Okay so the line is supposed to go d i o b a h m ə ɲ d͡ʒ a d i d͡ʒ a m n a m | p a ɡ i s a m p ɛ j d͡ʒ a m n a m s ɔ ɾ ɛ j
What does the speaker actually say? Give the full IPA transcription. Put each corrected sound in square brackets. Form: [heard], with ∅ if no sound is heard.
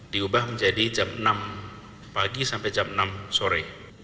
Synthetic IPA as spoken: d i [u] b a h m ə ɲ d͡ʒ a d i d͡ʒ a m n a m | p a ɡ i s a m p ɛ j d͡ʒ a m n a m s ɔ ɾ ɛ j

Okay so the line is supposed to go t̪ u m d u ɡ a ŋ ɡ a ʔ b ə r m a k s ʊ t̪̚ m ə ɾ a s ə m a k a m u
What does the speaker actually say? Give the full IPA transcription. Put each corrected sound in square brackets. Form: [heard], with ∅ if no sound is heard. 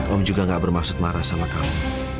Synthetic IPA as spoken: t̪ [ɔ] m [d͡ʒ] u ɡ a ŋ ɡ a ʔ b ə r m a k s ʊ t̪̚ m [a] ɾ a s [a] m a k a m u

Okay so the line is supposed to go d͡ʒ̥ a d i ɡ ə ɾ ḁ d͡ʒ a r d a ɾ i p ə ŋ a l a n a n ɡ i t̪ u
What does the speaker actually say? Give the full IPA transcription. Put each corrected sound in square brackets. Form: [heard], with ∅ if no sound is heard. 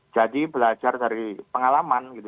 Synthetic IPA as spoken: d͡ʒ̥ a d i [b] ə [l] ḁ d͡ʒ a r d a ɾ i p ə ŋ a l a [m] a n ɡ i t̪ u

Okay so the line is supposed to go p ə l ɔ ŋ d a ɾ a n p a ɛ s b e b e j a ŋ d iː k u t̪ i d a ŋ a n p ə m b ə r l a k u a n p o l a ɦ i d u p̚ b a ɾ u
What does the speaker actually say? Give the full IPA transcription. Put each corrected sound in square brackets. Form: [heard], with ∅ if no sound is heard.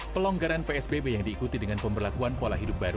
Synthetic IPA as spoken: p ə l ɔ ŋ [ɡ] a ɾ a n p [e] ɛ s b e b e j a ŋ d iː k u t̪ i d [ə] ŋ a n p ə m b ə r l a k u a n p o l a ɦ i d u p̚ b a ɾ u

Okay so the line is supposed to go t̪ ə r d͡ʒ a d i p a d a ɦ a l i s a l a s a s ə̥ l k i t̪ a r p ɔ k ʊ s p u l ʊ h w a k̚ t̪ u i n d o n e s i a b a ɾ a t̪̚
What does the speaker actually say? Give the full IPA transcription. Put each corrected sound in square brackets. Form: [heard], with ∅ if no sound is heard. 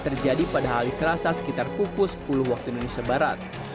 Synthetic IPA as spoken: t̪ ə r d͡ʒ a d i p a d a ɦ a l i s [ə] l a s a s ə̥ [∅] k i t̪ a r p [u] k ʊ s p u l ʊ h w a k̚ t̪ u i n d o n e s i a b a ɾ a t̪̚

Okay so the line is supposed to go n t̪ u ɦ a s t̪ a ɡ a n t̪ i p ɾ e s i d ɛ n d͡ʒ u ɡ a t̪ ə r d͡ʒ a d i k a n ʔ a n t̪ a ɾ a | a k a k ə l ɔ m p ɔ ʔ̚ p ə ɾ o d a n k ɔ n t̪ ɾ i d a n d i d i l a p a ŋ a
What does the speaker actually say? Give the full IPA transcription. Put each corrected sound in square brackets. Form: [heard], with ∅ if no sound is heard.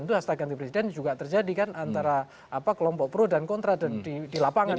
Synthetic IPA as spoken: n t̪ u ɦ a s t̪ a ɡ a n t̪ i p ɾ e s i d ɛ n d͡ʒ u ɡ a t̪ ə r d͡ʒ a d i k a n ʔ a n t̪ a ɾ a | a [p] a k ə l ɔ m p ɔ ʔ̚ p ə ɾ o d a n k ɔ n t̪ ɾ [a] d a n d i d i l a p a ŋ a

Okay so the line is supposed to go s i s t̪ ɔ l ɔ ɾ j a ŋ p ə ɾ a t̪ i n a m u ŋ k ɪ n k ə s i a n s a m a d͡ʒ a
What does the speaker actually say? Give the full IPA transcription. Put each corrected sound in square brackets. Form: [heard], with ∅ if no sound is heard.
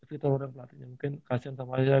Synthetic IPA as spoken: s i [∅] t̪ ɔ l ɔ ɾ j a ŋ p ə [l] a t̪ i [ɲ] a m u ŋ k ɪ n k [a] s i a n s a m a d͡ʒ a

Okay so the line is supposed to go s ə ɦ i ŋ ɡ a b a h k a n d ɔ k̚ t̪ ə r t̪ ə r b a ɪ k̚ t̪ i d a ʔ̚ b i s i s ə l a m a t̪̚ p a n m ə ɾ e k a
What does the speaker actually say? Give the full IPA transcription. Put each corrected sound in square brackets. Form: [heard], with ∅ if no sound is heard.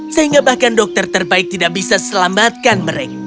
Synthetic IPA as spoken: s ə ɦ i ŋ ɡ a b a h k a n d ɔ k̚ t̪ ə r t̪ ə r b a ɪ k̚ t̪ i d a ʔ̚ b i s [a] s ə l a m a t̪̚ [k] a n m ə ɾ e k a

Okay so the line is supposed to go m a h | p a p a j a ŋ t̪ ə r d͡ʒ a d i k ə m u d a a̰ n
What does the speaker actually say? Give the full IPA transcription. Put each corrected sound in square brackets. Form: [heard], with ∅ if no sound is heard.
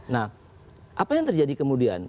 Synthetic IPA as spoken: [n] a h | [ʔ] a p a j a ŋ t̪ ə r d͡ʒ a d i k ə m u d [i] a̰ n

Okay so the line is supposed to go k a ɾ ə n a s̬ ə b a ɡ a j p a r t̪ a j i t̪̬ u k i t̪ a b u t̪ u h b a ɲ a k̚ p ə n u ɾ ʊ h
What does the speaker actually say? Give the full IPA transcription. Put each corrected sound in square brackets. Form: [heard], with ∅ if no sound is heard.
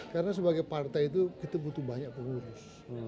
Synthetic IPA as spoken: k a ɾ ə n a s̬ ə b a ɡ a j p a r t̪ a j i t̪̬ u k i t̪ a b u t̪ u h b a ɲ a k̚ p ə [ŋ] u ɾ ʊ [s]

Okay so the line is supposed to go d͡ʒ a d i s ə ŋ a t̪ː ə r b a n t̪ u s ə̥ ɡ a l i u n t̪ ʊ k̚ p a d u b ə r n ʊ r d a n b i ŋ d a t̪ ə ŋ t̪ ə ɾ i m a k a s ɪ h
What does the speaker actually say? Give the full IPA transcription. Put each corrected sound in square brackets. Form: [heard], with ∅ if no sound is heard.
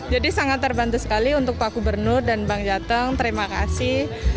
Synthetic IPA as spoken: d͡ʒ a d i s [a] ŋ a t̪ː ə r b a n t̪ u s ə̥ [k] a l i u n t̪ ʊ k̚ p a [ɡ] u b ə r n ʊ r d a n b [a] ŋ [d͡ʒ] a t̪ ə ŋ t̪ ə ɾ i m a k a s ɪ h

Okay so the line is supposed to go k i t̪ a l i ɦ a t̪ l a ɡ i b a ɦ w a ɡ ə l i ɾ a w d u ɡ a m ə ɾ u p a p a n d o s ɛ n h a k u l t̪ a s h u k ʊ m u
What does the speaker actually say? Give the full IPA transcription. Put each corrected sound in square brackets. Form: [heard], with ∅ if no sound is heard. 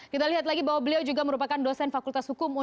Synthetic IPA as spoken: k i t̪ a l i ɦ a t̪ l a ɡ i b a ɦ w a [b] ə l i [∅] a w [d͡ʒ] u ɡ a m ə ɾ u p a [k] a n d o s ɛ n [f] a k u l t̪ a s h u k ʊ m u

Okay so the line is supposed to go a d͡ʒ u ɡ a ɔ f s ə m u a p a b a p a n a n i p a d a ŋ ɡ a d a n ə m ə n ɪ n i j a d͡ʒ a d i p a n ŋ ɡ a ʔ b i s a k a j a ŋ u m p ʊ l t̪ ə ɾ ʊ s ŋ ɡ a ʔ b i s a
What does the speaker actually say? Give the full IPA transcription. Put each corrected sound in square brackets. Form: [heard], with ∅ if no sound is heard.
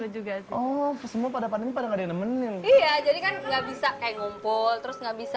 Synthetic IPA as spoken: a d͡ʒ u ɡ a ɔ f s ə m u a p a [d] a p a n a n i p a d a ŋ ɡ a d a n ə m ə n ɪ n i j a d͡ʒ a d i [k] a n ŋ ɡ a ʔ b i s a k a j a ŋ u m p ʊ l t̪ ə ɾ ʊ s ŋ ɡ a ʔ b i s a

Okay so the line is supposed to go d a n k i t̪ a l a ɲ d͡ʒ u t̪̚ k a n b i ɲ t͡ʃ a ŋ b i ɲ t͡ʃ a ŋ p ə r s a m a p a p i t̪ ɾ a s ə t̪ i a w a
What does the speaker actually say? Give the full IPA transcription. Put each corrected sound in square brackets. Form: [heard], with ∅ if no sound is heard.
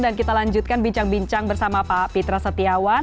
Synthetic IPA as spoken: d a n k i t̪ a l a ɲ d͡ʒ u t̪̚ k a n b i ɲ t͡ʃ a ŋ b i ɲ t͡ʃ a ŋ [b] ə r s a m a p a p i t̪ ɾ a s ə t̪ i a w a

